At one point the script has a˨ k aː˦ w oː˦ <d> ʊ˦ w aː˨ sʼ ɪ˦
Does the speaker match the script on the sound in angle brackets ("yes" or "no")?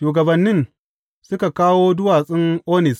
yes